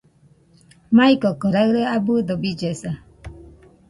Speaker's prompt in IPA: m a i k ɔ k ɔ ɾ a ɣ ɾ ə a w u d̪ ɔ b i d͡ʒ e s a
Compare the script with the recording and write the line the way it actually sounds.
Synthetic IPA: m a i k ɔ k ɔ ɾ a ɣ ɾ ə a b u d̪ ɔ b i d͡ʒ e s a